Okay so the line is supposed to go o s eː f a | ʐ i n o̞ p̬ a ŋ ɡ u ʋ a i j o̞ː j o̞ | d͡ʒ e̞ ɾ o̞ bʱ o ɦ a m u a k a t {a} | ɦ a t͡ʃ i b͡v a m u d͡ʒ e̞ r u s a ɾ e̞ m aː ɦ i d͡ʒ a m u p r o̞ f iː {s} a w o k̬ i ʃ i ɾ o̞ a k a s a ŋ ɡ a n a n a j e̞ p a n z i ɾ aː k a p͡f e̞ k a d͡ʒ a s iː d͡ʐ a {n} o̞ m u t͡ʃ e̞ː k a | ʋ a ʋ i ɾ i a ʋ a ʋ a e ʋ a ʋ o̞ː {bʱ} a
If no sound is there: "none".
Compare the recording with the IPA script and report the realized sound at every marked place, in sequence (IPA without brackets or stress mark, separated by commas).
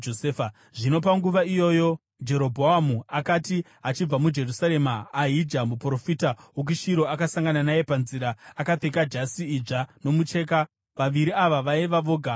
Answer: i, t, n, ɡʱ